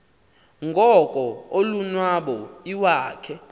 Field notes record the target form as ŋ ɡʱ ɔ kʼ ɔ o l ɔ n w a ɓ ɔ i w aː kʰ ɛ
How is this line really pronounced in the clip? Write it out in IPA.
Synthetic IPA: ŋ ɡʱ ɔ kʼ ɔ o l u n w a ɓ ɔ i w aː kʰ ɛ